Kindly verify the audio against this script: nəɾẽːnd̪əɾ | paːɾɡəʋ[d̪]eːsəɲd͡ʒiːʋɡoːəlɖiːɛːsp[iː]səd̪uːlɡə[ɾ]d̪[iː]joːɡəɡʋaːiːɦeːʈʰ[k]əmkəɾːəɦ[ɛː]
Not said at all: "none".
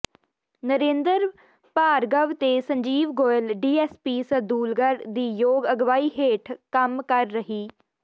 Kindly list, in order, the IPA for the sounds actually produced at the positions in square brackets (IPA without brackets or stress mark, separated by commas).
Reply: t̪, iː, ɾ, iː, k, iː